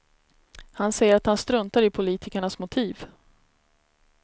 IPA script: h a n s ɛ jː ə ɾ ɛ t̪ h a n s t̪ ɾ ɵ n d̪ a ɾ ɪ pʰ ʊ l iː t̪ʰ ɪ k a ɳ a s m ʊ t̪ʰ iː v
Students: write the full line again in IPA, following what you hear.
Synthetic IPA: h a n s ɛ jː ə ɾ a t̪ h a n s t̪ ɾ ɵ n t̪ a ɾ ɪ pʰ ʊ l iː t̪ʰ ɪ k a ɳ a s m ʊ t̪ʰ iː v

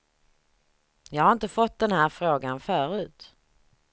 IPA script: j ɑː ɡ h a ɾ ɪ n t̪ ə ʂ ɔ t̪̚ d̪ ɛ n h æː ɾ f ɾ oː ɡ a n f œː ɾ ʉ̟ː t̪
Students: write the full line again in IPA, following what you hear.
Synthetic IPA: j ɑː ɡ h a ɾ ɪ n t̪ ə f ɔ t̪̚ d̪ ɛ n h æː ɾ f ɾ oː ɡ a n f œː ɾ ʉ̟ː t̪

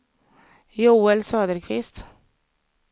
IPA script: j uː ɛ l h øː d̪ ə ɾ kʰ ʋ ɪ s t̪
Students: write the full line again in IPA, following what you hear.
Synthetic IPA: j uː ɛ l s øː d̪ ə ɾ kʰ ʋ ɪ s t̪

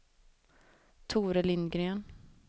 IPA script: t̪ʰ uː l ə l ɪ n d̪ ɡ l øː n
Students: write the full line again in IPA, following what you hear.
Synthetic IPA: t̪ʰ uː ɾ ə l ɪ n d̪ ɡ ɾ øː n

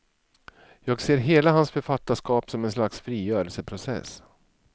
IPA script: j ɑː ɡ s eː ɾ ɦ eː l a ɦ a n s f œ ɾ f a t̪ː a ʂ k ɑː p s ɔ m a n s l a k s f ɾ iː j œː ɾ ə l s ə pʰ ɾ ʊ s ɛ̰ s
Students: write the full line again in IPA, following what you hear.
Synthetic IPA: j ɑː ɡ s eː ɾ ɦ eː l a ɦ a n s f œ ɾ f a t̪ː a ʂ k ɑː p s ɔ m ɛ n s l a k s f ɾ iː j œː ɾ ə l s ə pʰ ɾ ʊ s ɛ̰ s

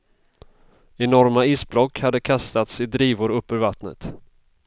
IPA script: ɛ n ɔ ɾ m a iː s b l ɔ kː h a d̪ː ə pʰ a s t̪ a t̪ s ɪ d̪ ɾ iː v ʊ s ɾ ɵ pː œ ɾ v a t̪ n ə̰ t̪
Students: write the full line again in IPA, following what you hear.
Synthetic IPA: ɛ n ɔ ɾ m a iː s b l ɔ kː h a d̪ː ə kʰ a s t̪ a t̪ s ɪ d̪ ɾ iː v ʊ ɾ ɵ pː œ ɾ v a t̪ n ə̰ t̪

